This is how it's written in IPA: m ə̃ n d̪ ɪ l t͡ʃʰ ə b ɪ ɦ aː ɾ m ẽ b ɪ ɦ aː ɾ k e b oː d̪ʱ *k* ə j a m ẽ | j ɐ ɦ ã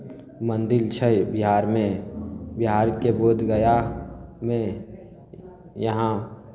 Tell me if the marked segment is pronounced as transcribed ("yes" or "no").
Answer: no